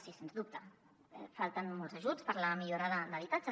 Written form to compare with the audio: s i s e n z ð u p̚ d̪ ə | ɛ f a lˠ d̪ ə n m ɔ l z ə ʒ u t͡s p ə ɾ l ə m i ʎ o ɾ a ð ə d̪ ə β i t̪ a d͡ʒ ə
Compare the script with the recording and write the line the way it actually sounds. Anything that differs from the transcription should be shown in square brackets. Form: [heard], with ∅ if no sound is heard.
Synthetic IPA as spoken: s i s e n z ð u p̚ [t̪] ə | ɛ f a lˠ [t̪] ə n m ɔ l z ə ʒ u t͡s p ə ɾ l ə m i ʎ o ɾ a ð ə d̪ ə β i t̪ a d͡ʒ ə